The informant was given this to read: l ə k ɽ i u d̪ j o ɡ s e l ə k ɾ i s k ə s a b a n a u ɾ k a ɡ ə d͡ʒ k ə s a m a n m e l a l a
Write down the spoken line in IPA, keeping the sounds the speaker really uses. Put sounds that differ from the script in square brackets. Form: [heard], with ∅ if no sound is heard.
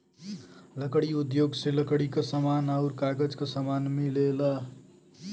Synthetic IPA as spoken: l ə k ɽ i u d̪ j o ɡ s e l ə k [ɽ] i [∅] k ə s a [m] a n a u ɾ k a ɡ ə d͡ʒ k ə s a m a n m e l [e] l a